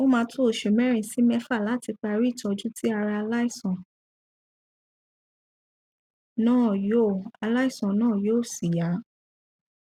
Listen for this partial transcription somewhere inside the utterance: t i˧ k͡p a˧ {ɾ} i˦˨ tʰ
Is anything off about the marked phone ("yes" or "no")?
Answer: no